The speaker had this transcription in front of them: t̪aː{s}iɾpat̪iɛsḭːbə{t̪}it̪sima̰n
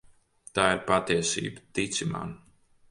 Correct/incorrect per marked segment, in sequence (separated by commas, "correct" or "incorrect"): incorrect, correct